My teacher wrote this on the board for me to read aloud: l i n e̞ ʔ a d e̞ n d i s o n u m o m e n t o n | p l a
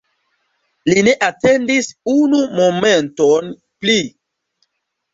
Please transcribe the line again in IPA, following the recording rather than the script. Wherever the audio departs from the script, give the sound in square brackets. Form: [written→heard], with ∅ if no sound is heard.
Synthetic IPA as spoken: l i n e̞ ʔ a [d→t] e̞ n d i s [o→u] n u m o m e n t o n | p l [a→i]